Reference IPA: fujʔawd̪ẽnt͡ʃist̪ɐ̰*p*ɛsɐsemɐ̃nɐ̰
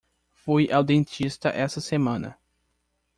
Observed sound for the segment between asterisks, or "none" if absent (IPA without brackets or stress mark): ʔ